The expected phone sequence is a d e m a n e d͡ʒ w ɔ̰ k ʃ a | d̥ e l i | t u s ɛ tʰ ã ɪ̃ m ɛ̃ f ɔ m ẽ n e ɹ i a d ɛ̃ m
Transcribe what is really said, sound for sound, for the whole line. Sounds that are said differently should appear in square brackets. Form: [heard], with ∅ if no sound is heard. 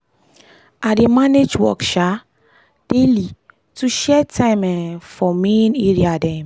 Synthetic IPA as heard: a d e m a n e d͡ʒ w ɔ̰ k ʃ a | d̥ e l i | t u [ʃ] ɛ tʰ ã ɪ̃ m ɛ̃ f ɔ m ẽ n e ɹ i a d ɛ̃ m